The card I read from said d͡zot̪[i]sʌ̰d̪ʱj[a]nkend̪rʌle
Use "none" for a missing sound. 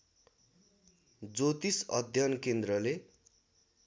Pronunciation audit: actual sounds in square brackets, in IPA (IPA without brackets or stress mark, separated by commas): i, ʌ